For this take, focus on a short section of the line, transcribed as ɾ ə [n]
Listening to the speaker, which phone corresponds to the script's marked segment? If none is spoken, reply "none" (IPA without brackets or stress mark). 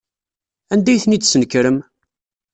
m